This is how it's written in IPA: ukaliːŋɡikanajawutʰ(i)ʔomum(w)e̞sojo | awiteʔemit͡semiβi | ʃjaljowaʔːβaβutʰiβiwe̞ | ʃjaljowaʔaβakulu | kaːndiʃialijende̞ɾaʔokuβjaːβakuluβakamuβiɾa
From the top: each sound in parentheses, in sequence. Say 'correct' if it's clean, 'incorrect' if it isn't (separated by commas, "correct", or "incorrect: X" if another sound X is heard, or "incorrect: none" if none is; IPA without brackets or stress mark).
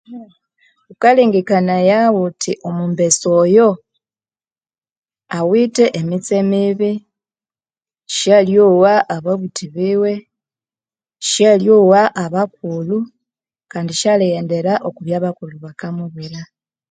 correct, incorrect: b